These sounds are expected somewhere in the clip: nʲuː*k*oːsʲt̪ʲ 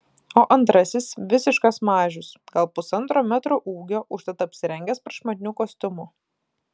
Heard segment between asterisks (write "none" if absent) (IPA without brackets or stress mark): k